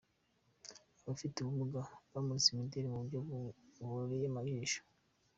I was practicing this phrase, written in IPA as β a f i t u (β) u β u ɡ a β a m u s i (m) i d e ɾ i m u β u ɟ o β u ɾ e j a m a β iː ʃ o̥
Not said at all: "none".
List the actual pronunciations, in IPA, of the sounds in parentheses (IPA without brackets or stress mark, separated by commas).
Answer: β, m